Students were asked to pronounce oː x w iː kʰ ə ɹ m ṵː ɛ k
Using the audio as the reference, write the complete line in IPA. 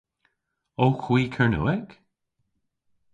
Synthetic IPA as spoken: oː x w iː kʰ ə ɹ n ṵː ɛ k